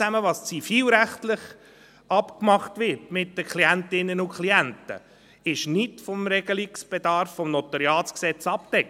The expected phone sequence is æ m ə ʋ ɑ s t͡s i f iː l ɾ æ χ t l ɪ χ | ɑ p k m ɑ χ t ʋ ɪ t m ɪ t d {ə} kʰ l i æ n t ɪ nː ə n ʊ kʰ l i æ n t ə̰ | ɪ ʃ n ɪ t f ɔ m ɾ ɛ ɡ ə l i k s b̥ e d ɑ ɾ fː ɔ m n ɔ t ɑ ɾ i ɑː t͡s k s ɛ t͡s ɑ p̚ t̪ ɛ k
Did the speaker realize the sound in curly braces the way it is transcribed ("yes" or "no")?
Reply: yes